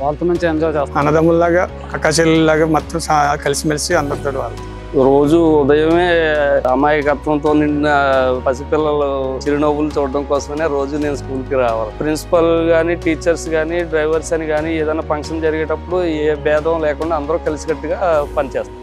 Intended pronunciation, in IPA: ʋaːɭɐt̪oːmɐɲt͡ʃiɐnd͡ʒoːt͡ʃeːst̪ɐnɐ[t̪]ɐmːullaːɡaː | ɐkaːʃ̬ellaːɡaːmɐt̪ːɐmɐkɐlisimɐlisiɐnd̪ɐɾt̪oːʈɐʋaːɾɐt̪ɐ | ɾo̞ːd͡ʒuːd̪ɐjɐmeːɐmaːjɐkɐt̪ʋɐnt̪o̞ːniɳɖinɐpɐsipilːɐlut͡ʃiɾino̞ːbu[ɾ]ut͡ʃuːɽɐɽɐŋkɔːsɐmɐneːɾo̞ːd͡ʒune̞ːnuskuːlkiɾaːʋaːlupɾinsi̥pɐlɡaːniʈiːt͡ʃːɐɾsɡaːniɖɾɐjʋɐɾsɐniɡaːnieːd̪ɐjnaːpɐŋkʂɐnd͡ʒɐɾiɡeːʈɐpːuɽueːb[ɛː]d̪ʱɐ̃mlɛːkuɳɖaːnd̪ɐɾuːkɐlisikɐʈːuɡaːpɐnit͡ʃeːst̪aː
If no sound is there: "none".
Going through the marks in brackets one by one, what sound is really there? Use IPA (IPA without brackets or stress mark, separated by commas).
d̪, l, ɛː